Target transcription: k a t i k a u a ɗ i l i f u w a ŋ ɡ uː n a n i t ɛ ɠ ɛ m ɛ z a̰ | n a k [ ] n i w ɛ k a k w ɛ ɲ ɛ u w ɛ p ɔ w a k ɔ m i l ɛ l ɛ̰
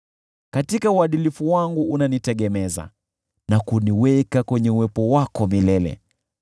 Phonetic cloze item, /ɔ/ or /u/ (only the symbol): u